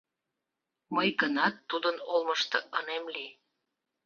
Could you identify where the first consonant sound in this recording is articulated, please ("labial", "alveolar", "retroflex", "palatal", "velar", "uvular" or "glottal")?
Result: labial